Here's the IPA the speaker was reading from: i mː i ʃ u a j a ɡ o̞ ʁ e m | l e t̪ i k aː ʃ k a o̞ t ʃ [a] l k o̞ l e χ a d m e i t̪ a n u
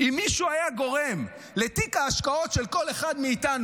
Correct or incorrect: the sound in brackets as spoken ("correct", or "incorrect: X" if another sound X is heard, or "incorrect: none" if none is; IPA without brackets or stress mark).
incorrect: e